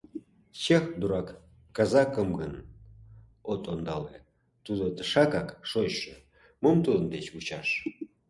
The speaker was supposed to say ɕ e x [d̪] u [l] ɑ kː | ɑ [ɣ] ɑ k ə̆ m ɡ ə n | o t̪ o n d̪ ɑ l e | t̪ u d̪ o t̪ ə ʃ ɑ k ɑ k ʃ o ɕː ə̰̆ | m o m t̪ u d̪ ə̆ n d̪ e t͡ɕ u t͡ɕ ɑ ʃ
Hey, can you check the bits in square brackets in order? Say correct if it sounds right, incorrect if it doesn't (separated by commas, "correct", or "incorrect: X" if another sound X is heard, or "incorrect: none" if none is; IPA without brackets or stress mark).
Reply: correct, incorrect: ɾ, incorrect: z